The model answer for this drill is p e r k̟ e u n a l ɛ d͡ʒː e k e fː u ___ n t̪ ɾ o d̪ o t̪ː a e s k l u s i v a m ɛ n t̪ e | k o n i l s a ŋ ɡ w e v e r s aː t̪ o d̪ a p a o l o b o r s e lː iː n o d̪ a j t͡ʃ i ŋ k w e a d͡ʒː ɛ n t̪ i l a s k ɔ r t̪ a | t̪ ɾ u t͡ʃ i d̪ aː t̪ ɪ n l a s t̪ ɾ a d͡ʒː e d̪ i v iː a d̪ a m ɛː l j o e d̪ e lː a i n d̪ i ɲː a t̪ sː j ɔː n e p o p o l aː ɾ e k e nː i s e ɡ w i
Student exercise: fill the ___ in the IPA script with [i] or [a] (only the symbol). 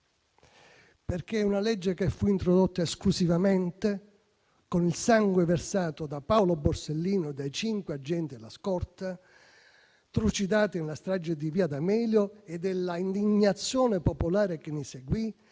i